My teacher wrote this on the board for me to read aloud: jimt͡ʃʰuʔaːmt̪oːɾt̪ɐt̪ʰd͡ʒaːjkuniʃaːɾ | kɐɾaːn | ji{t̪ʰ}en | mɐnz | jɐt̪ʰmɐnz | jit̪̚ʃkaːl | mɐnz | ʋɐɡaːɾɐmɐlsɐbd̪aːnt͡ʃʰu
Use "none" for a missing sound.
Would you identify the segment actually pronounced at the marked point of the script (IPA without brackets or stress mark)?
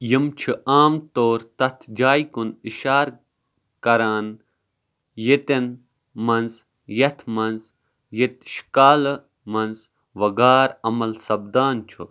t̪